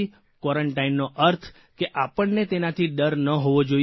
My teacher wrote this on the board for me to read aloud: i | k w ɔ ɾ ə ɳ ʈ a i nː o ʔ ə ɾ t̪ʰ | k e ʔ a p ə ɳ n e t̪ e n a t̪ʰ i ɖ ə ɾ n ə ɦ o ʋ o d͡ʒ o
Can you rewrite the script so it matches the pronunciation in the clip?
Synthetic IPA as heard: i | k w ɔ ɾ ə ɳ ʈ a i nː o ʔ ə ɾ t̪ʰ | k e ʔ a p ə ɳ n e t̪ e n a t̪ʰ i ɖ ə ɾ n ə ɦ o ʋ o d͡ʒ o